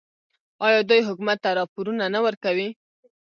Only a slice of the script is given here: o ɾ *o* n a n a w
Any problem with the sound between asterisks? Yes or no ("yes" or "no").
yes